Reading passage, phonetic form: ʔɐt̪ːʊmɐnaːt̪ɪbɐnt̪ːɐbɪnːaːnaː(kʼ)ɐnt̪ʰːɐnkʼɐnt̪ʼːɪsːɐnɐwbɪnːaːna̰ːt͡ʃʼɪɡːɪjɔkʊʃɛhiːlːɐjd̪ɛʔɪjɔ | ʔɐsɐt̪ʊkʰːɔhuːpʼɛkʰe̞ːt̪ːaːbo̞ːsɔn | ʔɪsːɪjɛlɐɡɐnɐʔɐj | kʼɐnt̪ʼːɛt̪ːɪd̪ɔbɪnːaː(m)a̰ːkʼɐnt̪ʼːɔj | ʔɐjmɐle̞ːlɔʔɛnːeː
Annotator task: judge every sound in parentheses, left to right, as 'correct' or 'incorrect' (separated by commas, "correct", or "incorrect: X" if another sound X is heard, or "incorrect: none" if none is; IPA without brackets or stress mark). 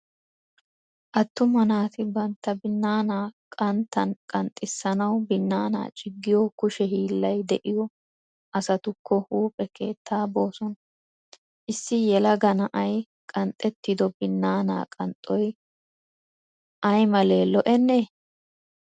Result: correct, incorrect: n